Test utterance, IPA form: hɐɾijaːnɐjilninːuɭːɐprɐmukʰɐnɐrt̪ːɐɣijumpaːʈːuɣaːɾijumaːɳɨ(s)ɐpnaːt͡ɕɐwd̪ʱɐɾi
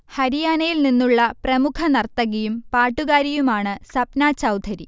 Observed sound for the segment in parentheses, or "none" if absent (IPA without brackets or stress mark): s